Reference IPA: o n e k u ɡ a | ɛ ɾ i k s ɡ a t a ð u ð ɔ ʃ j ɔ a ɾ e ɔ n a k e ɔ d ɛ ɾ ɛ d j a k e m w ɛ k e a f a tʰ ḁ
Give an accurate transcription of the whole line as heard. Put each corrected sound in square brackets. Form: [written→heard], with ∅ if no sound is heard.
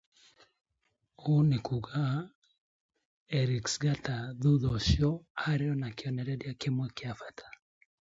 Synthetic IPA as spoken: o n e k u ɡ a | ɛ ɾ i k s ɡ a t a ð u ð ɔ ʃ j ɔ a ɾ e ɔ n a k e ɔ [d→n] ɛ ɾ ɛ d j a k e m w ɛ k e a f a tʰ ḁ

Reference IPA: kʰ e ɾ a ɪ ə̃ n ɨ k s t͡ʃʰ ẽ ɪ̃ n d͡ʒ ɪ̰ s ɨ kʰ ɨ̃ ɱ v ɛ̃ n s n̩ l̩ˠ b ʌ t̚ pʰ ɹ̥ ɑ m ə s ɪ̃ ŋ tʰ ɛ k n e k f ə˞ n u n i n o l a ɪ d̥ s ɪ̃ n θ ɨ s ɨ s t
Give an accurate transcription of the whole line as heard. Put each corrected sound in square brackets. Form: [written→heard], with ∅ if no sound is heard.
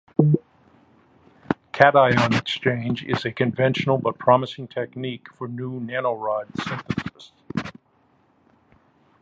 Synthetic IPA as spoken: kʰ [e→æ] ɾ a ɪ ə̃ n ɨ k s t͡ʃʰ ẽ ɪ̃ n d͡ʒ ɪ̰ [s→z] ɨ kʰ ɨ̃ ɱ v ɛ̃ n [s→ʃ] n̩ l̩ˠ b ʌ t̚ pʰ ɹ̥ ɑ m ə s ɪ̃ ŋ tʰ ɛ k n [e→i] k f ə˞ n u n [i→æ] n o [l→ɹ] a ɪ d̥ s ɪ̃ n θ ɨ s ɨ s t

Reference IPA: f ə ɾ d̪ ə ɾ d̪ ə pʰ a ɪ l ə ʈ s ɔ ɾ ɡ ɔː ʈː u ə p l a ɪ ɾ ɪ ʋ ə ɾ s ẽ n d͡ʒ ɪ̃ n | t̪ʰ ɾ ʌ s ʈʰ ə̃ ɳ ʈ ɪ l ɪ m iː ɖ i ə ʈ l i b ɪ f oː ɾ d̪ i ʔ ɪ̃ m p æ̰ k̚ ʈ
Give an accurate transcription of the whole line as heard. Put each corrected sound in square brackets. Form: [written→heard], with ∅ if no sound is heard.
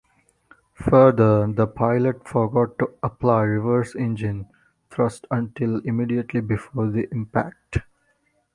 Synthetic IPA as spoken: f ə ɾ d̪ ə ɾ d̪ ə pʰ a ɪ l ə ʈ [s→f] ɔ ɾ ɡ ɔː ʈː u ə p l a ɪ ɾ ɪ ʋ ə ɾ s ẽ n d͡ʒ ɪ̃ n | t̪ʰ ɾ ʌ s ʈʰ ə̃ ɳ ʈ ɪ l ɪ m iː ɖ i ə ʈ l i b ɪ f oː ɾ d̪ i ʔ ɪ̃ m p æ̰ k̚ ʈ

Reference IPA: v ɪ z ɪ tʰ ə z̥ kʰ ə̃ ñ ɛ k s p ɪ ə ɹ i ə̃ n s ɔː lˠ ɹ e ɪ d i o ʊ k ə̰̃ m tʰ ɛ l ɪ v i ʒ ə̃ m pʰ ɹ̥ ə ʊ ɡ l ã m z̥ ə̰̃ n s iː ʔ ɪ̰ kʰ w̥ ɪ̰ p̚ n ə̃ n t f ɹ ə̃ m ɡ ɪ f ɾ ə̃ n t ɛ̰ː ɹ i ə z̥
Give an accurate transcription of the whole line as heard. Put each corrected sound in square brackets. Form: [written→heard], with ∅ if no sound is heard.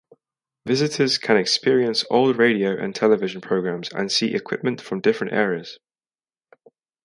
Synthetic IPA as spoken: v ɪ z ɪ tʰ ə z̥ kʰ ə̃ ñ ɛ k s p ɪ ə ɹ i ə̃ n s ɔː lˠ ɹ e ɪ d i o ʊ [k→ʔ] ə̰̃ [m→n] tʰ ɛ l ɪ v [i→ɪ] ʒ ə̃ [m→n] pʰ ɹ̥ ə ʊ ɡ [l→ɹ] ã m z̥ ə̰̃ n s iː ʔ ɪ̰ kʰ w̥ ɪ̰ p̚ [n→m] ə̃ n t f ɹ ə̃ m [ɡ→d] ɪ f [ɾ→ɹ] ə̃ n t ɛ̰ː ɹ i ə z̥

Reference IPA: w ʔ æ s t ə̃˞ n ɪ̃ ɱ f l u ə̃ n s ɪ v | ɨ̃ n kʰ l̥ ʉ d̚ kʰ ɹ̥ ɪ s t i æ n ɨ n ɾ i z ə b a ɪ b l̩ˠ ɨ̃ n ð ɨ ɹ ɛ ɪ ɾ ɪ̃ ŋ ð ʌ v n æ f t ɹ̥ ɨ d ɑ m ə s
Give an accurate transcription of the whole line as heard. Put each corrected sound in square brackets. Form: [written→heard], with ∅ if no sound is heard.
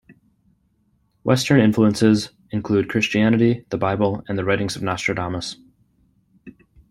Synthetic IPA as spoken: w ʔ [æ→ɛ] s t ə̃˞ n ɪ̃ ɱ f l u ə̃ n s ɪ [v→z] | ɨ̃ n kʰ l̥ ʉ d̚ kʰ ɹ̥ ɪ s [t→t͡ʃ] i æ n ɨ [n→∅] ɾ i [z→ð] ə b a ɪ b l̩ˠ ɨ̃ n ð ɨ ɹ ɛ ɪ ɾ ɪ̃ ŋ [ð→z] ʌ v n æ [f→s] t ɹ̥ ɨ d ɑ m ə s

